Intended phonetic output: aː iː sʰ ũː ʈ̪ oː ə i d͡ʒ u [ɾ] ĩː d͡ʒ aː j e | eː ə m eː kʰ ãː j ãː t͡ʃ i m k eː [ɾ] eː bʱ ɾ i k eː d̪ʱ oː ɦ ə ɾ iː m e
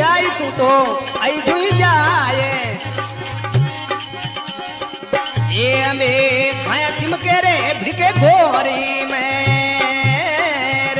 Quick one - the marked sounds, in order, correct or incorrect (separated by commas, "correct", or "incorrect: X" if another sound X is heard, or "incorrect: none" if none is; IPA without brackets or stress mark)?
incorrect: none, correct